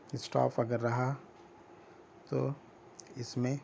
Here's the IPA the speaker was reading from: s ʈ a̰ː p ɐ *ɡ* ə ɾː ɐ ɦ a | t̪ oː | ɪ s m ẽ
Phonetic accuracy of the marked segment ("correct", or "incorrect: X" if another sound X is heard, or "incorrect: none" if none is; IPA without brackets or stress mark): correct